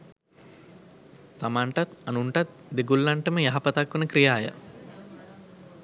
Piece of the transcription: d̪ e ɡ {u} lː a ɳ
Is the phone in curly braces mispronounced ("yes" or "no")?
no